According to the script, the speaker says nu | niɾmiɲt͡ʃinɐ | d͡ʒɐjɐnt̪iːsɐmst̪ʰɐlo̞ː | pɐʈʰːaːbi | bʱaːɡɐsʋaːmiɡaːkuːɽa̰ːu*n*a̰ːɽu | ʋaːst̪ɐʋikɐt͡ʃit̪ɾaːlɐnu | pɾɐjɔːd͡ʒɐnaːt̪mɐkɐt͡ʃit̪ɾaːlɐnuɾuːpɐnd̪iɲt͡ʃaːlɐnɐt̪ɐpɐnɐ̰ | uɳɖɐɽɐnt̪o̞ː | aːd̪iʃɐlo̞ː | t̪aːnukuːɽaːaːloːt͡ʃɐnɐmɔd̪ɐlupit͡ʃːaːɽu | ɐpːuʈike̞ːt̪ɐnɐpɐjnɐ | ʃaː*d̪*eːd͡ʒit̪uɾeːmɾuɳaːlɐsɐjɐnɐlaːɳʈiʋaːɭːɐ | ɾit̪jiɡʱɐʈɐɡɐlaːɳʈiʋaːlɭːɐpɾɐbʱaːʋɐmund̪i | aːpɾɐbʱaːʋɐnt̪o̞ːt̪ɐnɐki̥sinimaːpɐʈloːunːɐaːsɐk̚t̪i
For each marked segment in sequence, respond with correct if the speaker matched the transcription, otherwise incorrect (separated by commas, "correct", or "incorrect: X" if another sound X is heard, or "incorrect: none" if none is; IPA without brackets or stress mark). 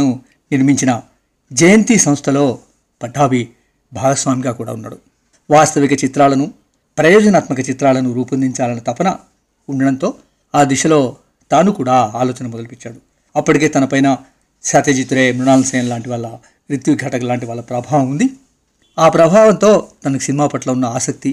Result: incorrect: nː, incorrect: t̪